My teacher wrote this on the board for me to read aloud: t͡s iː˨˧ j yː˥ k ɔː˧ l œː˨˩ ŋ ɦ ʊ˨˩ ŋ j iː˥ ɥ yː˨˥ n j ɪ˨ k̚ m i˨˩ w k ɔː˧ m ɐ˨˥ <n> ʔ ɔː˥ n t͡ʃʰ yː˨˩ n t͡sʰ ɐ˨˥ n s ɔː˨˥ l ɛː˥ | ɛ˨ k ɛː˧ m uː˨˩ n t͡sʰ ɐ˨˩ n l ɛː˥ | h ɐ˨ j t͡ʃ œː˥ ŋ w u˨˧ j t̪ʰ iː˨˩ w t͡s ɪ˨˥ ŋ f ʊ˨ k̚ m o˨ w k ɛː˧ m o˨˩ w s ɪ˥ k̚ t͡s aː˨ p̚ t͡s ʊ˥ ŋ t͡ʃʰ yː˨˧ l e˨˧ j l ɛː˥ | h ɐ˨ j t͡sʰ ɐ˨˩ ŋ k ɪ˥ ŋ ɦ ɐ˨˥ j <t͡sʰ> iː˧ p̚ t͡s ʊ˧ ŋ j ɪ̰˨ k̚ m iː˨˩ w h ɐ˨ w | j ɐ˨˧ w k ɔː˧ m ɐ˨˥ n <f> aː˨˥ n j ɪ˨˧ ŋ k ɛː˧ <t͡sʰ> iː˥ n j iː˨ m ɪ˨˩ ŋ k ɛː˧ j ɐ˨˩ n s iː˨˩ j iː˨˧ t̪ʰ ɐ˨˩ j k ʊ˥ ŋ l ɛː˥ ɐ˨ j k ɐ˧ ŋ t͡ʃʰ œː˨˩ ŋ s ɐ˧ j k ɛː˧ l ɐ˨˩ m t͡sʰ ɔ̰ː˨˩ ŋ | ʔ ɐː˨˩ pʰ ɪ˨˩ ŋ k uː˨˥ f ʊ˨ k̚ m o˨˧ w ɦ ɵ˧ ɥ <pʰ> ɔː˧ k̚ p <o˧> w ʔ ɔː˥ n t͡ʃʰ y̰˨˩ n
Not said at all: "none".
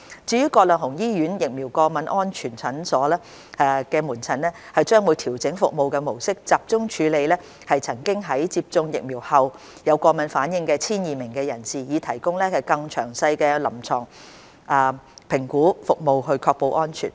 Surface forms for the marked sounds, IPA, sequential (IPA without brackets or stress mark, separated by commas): n, t͡s, f, t͡sʰ, kʰ, o˧